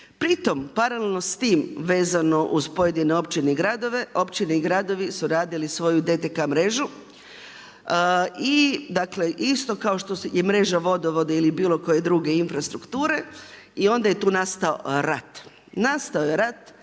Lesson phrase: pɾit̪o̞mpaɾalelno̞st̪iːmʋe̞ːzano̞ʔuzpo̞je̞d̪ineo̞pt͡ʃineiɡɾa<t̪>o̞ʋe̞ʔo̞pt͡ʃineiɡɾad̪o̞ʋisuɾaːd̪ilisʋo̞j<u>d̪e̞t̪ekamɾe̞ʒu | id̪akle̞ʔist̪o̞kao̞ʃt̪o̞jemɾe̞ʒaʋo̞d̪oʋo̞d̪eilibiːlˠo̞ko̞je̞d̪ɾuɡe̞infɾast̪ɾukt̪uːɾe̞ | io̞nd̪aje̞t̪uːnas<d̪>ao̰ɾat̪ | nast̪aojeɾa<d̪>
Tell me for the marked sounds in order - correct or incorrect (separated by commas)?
incorrect, correct, incorrect, incorrect